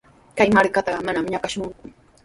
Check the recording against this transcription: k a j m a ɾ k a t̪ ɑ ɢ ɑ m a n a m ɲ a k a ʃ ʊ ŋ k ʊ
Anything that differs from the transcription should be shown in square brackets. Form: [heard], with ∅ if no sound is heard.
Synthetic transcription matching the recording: k a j m a ɾ k a t̪ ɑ ɢ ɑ m a n a m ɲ a k a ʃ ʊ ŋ k ʊ